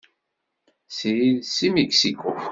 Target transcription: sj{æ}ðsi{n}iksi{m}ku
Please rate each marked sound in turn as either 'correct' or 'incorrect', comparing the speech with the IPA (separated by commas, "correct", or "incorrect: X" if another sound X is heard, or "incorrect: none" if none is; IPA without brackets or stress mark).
incorrect: i, incorrect: m, incorrect: none